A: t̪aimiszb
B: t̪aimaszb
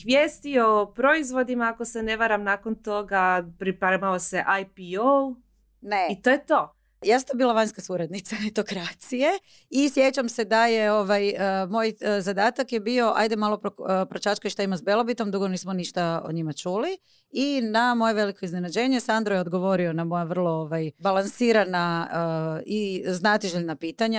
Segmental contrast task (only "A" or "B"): B